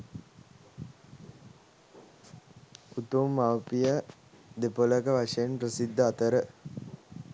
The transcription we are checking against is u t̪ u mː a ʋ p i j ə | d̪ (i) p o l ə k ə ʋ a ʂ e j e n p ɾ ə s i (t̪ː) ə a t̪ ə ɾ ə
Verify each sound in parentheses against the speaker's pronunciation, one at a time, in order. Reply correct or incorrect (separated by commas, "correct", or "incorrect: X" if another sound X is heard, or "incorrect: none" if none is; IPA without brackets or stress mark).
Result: incorrect: e, incorrect: d̪ː